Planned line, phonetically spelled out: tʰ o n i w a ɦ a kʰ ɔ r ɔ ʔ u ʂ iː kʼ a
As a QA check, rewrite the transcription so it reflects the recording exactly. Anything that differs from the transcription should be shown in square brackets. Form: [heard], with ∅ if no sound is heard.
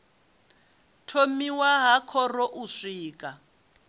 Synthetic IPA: tʰ o [m] i w a ɦ a kʰ ɔ r ɔ ʔ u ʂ iː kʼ a